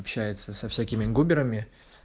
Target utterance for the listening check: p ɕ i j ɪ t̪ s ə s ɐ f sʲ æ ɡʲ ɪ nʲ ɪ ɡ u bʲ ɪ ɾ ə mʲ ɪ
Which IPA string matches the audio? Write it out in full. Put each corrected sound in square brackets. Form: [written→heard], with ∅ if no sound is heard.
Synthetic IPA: p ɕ [i→æ] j ɪ t̪ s ə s ɐ f sʲ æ [ɡʲ→kʲ] ɪ [nʲ→mʲ] ɪ ɡ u bʲ ɪ ɾ ə mʲ ɪ

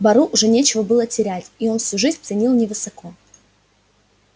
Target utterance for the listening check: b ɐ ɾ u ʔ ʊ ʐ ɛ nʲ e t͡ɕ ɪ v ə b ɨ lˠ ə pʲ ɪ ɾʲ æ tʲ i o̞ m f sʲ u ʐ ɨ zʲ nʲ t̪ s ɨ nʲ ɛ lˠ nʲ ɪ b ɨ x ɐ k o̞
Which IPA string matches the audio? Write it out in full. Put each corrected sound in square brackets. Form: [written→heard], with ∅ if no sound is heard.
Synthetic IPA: b ɐ ɾ u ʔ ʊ ʐ ɛ nʲ e t͡ɕ ɪ v ə b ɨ lˠ ə [pʲ→tʲ] ɪ ɾʲ æ tʲ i o̞ [m→n] f sʲ u ʐ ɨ zʲ nʲ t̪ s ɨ nʲ [ɛ→i] lˠ nʲ ɪ [b→v] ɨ [x→s] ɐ k o̞

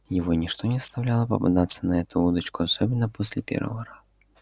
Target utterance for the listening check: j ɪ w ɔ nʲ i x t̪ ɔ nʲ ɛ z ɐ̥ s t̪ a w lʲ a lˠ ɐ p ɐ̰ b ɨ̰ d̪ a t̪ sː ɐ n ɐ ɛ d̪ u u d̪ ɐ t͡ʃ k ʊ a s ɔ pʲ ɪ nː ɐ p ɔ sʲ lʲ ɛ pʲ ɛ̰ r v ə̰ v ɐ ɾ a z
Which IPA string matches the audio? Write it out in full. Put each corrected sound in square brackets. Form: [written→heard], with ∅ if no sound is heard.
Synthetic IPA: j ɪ [w→v] ɔ nʲ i [x→ʂ] t̪ ɔ nʲ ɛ z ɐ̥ s t̪ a w lʲ a lˠ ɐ p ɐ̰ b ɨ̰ d̪ a t̪ sː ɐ n ɐ ɛ [d̪→t̪] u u d̪ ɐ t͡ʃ k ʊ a s ɔ [pʲ→bʲ] ɪ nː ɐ p ɔ sʲ lʲ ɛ pʲ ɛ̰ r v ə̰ v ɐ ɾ a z

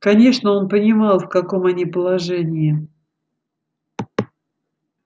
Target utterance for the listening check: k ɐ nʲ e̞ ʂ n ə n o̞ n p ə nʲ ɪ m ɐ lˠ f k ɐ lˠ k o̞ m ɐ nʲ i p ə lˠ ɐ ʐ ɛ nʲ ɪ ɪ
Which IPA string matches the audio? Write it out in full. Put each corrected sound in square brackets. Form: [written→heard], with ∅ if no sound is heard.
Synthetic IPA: k ɐ nʲ e̞ ʂ n ə [n→∅] o̞ n p ə nʲ ɪ m [ɐ→ɑ] lˠ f k ɐ [lˠ→∅] k o̞ m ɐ nʲ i p ə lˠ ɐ ʐ ɛ nʲ ɪ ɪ

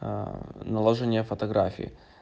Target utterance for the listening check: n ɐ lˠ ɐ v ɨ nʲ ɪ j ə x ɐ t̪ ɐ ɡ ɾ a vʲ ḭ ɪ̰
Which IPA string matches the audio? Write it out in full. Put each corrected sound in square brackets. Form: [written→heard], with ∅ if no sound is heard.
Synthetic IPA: n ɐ lˠ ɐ [v→ʐ] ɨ nʲ ɪ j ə [x→f] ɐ t̪ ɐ ɡ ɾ a [vʲ→fʲ] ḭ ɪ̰

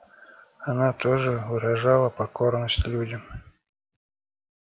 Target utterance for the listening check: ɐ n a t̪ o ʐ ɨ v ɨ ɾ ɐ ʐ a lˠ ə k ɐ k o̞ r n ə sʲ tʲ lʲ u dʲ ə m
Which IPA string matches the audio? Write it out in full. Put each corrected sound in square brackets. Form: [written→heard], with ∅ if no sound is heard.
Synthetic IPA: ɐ n a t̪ o ʐ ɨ v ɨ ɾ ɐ ʐ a lˠ ə [k→p] ɐ k o̞ r n ə sʲ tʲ lʲ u dʲ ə m

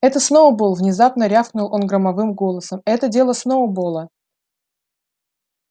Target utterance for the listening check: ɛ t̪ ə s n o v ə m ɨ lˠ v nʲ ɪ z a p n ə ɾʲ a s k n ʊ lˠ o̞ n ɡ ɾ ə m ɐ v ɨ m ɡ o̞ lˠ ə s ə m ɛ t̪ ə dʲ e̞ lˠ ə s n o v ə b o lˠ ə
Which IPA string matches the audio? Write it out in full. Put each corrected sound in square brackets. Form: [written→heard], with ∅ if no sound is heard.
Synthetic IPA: ɛ t̪ ə s n o v ə [m→b] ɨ lˠ v nʲ ɪ z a p n ə ɾʲ a [s→f] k n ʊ lˠ o̞ n ɡ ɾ ə m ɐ v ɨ m ɡ o̞ lˠ ə s ə m ɛ t̪ ə dʲ e̞ lˠ ə s n o v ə b o lˠ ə

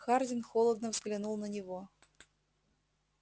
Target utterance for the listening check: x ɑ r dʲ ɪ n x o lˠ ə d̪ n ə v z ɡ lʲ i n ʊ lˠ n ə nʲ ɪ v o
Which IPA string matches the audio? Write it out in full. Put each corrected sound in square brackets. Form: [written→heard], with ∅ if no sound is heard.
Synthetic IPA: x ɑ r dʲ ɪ n x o lˠ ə d̪ n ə v z ɡ lʲ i n [ʊ→u] lˠ n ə nʲ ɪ v o

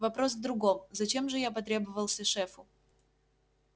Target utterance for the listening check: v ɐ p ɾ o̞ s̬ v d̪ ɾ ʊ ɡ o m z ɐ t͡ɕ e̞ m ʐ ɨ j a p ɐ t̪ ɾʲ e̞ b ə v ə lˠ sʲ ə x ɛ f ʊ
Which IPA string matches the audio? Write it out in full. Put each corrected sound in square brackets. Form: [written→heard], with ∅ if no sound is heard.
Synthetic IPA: v ɐ p ɾ o̞ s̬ v d̪ ɾ ʊ ɡ o m z ɐ t͡ɕ e̞ m ʐ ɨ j a p ɐ t̪ ɾʲ e̞ b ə v ə lˠ sʲ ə [x→ʂ] ɛ f ʊ

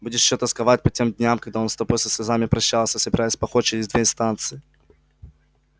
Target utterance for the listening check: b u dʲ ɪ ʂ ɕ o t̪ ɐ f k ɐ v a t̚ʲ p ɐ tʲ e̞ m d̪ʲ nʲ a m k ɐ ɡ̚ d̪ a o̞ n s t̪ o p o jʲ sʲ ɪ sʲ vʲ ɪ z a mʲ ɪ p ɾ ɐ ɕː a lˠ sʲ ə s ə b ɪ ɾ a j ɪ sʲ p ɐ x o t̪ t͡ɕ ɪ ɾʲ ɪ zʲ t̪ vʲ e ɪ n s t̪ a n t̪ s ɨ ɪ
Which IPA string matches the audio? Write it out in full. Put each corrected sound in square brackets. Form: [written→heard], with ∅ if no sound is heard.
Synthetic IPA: b u dʲ ɪ ʂ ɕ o t̪ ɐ [f→s] k ɐ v a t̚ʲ p ɐ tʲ e̞ m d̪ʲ nʲ a m k ɐ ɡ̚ d̪ a o̞ n s t̪ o p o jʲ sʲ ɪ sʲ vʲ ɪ z a mʲ ɪ p ɾ ɐ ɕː a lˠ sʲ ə s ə b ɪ ɾ a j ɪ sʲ p ɐ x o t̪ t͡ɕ ɪ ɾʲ ɪ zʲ [t̪→d̪] vʲ e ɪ n s t̪ a n t̪ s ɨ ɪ

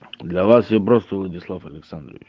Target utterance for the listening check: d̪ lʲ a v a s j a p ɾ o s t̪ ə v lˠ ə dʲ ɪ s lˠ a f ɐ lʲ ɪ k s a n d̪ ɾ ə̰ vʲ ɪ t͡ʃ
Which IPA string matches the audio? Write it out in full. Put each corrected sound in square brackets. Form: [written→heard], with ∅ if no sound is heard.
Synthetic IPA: d̪ lʲ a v a s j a p ɾ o s t̪ ə v lˠ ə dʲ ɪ s lˠ a f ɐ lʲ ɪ k s a n d̪ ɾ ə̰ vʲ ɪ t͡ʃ

